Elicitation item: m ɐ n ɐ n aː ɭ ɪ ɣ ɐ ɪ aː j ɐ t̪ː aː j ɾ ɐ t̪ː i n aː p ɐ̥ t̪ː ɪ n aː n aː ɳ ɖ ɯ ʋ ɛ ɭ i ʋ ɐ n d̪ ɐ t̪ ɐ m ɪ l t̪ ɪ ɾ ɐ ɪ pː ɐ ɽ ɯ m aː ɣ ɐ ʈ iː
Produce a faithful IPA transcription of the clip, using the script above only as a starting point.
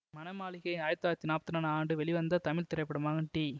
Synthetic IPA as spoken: m ɐ n ɐ m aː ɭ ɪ ɣ ɐ ɪ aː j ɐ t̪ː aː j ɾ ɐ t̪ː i n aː p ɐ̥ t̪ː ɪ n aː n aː ɳ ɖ ɯ ʋ ɛ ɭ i ʋ ɐ n d̪ ɐ t̪ ɐ m ɪ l t̪ ɪ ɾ ɐ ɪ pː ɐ ɽ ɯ m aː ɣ ɐ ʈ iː